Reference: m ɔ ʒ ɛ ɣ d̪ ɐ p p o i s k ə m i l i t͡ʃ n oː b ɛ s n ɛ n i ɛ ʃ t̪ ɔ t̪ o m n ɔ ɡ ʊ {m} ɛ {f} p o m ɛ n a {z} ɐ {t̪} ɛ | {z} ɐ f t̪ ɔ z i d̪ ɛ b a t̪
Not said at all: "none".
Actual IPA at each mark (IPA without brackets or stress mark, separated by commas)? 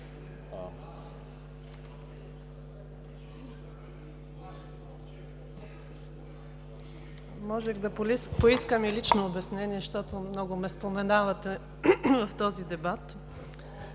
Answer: m, s, v, t̪, v